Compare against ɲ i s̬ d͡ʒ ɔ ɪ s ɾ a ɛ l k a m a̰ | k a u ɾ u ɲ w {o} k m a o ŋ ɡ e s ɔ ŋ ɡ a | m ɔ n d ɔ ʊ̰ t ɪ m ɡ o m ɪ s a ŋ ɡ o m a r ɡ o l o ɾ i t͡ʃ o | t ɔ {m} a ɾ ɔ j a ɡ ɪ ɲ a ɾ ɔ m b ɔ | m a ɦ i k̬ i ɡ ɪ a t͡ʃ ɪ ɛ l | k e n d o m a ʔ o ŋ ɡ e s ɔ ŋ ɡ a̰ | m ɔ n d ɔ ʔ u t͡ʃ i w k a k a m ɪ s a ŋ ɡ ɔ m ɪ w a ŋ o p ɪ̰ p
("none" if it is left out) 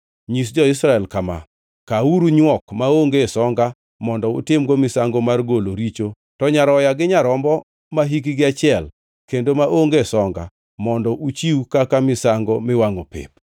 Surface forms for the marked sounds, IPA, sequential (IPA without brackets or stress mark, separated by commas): ɔ, ɲ